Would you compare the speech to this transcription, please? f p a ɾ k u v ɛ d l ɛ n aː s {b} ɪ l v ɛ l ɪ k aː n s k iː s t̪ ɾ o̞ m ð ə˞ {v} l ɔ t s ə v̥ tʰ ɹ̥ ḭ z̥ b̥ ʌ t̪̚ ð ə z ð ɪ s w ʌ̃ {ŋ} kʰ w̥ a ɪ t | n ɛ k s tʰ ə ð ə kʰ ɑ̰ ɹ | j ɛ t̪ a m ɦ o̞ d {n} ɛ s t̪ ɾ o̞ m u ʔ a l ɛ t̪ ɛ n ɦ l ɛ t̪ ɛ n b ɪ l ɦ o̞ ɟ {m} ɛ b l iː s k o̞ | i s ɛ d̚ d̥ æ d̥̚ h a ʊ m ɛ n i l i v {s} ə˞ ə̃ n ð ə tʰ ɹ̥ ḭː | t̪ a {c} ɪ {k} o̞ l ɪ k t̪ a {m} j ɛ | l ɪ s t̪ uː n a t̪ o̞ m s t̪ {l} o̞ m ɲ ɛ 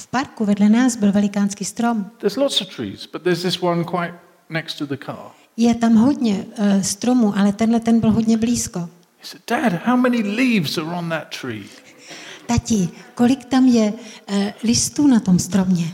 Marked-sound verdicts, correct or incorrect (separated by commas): correct, incorrect, incorrect, incorrect, incorrect, incorrect, correct, correct, correct, incorrect